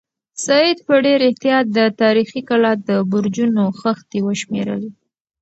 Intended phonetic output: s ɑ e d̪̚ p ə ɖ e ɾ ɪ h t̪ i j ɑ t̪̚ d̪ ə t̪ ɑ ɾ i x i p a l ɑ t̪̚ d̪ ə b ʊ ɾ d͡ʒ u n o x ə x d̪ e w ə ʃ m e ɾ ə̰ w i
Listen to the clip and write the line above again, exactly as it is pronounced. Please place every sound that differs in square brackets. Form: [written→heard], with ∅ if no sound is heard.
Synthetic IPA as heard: s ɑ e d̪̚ p ə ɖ e ɾ ɪ h t̪ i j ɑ t̪̚ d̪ ə t̪ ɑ ɾ i x i [p→k] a l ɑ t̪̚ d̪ ə b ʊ ɾ d͡ʒ u n o x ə x [d̪→t̪] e w ə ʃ m e ɾ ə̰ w i